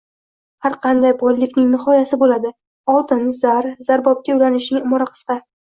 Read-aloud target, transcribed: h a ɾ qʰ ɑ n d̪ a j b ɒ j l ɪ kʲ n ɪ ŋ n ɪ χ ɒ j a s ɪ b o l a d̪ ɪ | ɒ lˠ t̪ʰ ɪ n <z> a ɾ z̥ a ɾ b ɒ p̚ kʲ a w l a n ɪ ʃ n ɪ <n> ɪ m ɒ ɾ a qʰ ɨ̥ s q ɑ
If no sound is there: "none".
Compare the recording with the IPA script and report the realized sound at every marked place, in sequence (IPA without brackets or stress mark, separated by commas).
z, ŋ